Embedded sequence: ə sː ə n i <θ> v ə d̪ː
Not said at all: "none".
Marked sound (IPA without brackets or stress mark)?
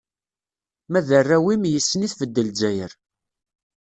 θ